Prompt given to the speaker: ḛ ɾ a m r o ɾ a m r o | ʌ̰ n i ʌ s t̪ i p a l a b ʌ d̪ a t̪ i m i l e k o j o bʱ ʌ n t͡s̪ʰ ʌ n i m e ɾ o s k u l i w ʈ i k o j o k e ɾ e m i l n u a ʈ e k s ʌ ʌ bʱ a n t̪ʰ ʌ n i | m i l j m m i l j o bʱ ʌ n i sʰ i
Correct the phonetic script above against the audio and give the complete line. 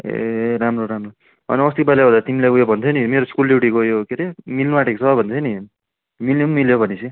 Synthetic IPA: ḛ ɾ a m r o ɾ a m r o | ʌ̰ n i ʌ s t̪ i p a l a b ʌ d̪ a t̪ i m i l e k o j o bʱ ʌ n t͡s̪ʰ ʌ n i m e ɾ o s k u l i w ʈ i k o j o k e ɾ e m i l n u a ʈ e k s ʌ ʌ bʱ ʌ n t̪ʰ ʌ n i | m i l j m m i l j o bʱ ʌ n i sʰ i